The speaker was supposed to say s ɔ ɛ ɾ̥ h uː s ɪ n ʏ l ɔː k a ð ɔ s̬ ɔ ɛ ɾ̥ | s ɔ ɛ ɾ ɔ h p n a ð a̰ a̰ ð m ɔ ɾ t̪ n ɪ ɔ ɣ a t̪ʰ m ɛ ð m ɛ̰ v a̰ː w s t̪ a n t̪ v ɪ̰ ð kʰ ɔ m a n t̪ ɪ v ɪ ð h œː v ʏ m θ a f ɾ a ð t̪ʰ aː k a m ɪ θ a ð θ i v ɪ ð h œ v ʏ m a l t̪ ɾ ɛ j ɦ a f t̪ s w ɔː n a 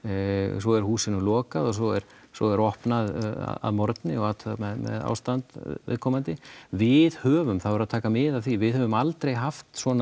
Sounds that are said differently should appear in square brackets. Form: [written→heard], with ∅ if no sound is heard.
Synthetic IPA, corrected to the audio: s ɔ ɛ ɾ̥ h uː s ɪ n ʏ l ɔː k a ð ɔ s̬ ɔ ɛ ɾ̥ | s ɔ ɛ ɾ ɔ h p n a ð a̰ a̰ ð m ɔ ɾ t̪ n ɪ ɔ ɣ a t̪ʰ m ɛ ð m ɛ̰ [v→ð] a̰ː w s t̪ a n t̪ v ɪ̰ ð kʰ ɔ m a n t̪ ɪ v ɪ ð h œː v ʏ m θ a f ɾ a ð t̪ʰ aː k a m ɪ [θ→ð] a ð θ i v ɪ ð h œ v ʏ m a l t̪ ɾ [ɛ→e] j ɦ a f t̪ s w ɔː n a

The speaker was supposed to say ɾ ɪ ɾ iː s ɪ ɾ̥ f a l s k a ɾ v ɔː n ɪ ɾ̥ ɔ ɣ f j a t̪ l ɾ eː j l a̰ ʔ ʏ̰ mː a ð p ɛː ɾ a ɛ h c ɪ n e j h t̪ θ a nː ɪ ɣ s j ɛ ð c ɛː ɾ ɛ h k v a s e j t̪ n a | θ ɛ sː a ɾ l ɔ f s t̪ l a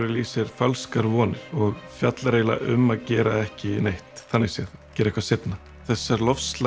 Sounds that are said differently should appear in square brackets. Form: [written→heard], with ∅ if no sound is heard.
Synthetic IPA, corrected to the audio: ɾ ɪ [ɾ→l] iː s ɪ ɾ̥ f a l s k a ɾ v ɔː n ɪ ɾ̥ ɔ ɣ f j a t̪ l ɾ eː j l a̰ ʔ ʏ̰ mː a ð [p→c] ɛː ɾ a ɛ h c ɪ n e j h t̪ θ a nː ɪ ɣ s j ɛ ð c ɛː ɾ ɛ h k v a s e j t̪ n a | θ ɛ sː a ɾ l ɔ f s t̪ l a

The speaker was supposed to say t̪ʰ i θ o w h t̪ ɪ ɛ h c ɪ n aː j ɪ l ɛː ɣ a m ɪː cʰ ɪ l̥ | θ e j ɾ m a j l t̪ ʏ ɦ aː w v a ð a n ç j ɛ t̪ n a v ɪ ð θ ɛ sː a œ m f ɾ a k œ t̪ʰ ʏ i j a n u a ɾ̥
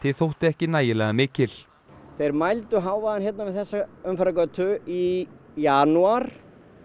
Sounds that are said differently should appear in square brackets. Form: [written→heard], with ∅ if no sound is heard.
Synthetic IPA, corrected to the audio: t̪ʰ [i→ɪ] θ o w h t̪ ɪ ɛ h c ɪ n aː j ɪ l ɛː ɣ a m ɪː [cʰ→c] ɪ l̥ | θ e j ɾ m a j l t̪ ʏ ɦ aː w v a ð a n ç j ɛ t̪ n a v ɪ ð θ ɛ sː a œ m f ɾ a k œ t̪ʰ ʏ i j a n u a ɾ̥

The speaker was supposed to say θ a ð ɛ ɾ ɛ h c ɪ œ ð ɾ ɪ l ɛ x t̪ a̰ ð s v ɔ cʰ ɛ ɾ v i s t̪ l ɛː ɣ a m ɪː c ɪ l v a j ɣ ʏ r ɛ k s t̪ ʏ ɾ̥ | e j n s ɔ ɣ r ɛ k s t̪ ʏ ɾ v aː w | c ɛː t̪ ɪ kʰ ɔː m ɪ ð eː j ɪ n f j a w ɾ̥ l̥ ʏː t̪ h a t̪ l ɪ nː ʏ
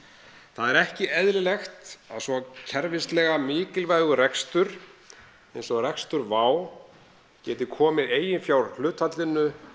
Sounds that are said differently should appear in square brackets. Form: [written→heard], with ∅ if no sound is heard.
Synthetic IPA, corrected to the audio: θ a ð ɛ ɾ ɛ h c ɪ [œ→ɛ] ð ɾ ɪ l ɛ x t̪ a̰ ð s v ɔ cʰ ɛ ɾ v [i→ɪ] s t̪ l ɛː ɣ a m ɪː c ɪ l v a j ɣ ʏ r ɛ k s t̪ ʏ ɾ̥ | e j n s ɔ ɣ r ɛ k s t̪ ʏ ɾ v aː w | c ɛː t̪ ɪ kʰ ɔː m ɪ ð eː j ɪ n f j a w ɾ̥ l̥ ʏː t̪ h a t̪ l ɪ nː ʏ

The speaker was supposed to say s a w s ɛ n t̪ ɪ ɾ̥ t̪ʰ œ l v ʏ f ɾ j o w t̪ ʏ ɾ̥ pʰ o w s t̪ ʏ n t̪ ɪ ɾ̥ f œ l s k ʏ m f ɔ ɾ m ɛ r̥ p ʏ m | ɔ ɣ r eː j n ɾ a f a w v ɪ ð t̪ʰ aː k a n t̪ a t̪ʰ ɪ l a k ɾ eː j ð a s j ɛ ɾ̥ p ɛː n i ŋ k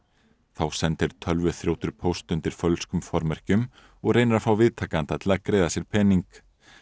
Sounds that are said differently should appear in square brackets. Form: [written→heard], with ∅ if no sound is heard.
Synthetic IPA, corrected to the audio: [s→θ] a w s ɛ n t̪ ɪ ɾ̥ t̪ʰ œ l v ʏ [f→θ] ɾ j o w t̪ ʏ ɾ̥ pʰ o w s t̪ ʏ n t̪ ɪ ɾ̥ f œ l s k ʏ m f ɔ ɾ m ɛ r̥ [p→c] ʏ m | ɔ ɣ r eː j n ɾ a f a w v ɪ ð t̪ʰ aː k a n t̪ a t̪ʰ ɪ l a k ɾ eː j ð a s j ɛ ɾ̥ [p→pʰ] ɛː n i ŋ k

